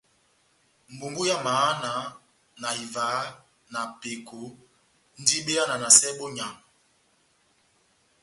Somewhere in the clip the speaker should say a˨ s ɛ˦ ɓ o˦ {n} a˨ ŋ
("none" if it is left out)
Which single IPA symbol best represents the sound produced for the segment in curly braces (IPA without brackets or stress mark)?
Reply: ɲ